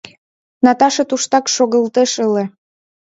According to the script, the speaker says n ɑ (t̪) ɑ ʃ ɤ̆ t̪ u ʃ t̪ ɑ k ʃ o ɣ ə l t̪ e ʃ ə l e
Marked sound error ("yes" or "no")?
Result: no